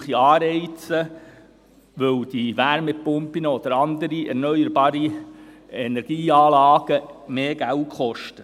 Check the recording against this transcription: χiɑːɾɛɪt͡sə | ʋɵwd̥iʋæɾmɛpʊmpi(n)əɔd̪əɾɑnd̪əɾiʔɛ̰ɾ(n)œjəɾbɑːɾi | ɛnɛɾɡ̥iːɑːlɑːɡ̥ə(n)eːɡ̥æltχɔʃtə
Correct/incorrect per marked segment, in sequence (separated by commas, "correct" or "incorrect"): correct, correct, incorrect